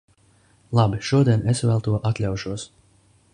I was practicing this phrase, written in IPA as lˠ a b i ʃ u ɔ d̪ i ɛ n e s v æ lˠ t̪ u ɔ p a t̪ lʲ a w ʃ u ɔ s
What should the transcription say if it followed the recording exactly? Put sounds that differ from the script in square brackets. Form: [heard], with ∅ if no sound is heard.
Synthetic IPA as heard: lˠ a b i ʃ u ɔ d̪ i ɛ n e s v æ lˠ t̪ u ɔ [ʔ] a t̪ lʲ a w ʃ u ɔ s